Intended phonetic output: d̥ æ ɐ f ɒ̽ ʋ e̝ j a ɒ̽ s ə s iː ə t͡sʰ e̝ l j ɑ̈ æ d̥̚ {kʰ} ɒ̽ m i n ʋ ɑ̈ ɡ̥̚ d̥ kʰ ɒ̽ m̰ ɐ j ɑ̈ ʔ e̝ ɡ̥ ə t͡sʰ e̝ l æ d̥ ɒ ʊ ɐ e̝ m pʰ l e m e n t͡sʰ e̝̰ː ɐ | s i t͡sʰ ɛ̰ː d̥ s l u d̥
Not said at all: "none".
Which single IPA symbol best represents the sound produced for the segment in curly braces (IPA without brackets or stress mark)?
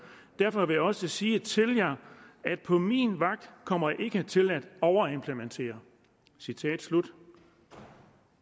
pʰ